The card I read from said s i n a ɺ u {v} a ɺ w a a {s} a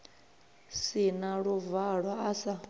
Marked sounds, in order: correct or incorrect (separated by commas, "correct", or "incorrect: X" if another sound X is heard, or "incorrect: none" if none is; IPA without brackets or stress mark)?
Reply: correct, correct